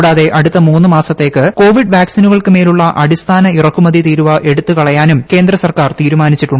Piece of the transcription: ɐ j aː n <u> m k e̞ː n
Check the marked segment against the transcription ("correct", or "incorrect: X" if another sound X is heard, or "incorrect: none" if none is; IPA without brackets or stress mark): correct